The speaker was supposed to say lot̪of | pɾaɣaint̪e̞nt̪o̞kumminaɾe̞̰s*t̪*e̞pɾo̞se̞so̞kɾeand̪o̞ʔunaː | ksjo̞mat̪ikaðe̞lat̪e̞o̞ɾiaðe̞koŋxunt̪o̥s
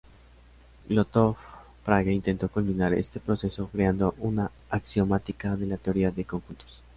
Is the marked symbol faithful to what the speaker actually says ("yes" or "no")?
yes